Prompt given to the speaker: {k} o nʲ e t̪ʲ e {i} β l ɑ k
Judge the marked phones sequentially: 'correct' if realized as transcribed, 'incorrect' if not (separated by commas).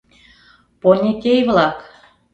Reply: incorrect, incorrect